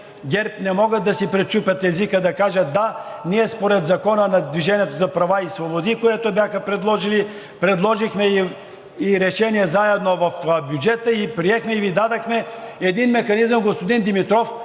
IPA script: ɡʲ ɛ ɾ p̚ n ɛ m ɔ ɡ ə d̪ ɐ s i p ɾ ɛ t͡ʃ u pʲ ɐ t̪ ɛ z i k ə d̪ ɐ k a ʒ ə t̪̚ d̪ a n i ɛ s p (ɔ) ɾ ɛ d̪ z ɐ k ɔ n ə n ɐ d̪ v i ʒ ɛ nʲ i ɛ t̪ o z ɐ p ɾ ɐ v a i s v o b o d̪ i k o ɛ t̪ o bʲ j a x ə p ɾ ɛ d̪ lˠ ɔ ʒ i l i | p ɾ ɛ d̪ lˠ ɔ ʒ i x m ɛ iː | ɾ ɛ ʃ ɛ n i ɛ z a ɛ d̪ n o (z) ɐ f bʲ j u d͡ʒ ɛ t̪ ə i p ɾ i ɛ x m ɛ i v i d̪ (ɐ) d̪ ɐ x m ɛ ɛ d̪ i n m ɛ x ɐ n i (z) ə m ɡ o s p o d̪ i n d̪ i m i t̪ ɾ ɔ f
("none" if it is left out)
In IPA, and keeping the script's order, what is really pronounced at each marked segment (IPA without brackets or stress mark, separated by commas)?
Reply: o, v, a, z